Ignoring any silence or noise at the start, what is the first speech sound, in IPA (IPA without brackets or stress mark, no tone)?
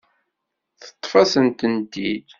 θ